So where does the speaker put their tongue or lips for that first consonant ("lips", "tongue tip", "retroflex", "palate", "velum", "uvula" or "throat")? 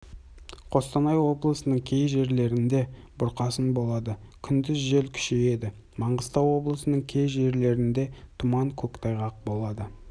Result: uvula